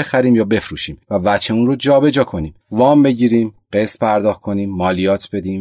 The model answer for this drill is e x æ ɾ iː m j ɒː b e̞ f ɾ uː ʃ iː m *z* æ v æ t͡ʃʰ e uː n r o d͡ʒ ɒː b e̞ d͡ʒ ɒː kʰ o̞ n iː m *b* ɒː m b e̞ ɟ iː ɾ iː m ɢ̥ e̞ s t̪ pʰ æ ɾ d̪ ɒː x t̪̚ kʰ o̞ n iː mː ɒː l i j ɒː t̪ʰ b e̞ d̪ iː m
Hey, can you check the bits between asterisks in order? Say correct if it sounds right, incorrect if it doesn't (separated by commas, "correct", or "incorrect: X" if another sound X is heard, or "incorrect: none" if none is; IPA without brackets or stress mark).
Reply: incorrect: v, incorrect: v